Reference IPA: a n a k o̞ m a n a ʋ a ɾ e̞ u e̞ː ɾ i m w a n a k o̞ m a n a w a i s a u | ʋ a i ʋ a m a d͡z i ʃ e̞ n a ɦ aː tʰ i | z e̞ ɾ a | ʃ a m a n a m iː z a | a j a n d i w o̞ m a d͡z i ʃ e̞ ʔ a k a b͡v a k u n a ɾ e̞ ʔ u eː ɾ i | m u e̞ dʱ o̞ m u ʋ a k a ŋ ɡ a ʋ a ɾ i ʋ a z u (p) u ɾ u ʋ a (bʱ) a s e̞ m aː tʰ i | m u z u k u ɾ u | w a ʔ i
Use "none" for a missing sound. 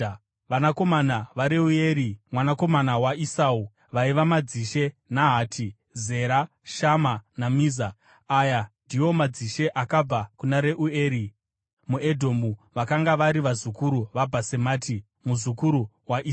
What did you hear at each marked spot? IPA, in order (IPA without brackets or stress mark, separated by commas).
k, bʱ